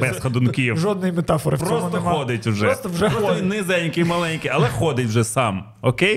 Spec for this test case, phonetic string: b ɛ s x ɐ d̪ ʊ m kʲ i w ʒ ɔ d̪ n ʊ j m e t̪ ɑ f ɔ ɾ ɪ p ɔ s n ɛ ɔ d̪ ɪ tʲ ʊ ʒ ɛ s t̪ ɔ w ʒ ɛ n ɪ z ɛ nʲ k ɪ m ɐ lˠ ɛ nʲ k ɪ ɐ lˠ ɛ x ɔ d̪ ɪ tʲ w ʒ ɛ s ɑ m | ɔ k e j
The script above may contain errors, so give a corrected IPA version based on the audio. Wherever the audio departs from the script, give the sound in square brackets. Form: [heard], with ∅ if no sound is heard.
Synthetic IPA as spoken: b ɛ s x ɐ d̪ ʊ [n] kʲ i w ʒ ɔ d̪ n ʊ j m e t̪ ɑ f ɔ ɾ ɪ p ɔ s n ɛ ɔ d̪ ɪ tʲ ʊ ʒ ɛ s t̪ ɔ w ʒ ɛ n ɪ z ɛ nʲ k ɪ m ɐ lˠ ɛ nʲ k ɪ ɐ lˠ ɛ x ɔ d̪ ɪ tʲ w ʒ ɛ s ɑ m | ɔ k e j